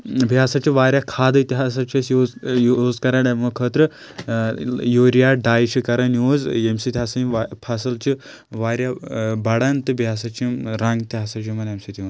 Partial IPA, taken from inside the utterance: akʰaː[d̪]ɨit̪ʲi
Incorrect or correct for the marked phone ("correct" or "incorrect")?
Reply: correct